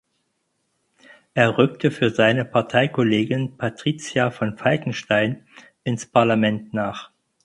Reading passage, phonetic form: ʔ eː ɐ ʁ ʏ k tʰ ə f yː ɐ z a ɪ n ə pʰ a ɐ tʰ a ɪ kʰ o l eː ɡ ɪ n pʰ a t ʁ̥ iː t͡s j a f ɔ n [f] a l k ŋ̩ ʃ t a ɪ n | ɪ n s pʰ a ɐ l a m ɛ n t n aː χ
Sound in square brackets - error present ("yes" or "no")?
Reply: no